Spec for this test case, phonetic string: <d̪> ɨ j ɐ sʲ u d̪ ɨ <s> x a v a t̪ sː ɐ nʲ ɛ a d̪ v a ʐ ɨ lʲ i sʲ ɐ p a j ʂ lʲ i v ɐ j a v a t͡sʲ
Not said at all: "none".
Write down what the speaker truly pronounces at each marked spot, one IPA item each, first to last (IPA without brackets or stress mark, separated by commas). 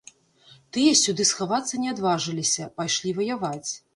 t̪, s